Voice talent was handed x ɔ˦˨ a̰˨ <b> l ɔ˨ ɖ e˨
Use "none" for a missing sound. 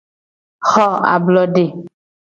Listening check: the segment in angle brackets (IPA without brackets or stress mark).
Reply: b